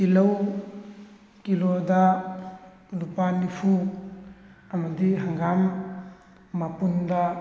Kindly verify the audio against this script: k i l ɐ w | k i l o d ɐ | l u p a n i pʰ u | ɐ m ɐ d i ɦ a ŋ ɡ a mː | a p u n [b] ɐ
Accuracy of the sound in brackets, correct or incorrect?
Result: incorrect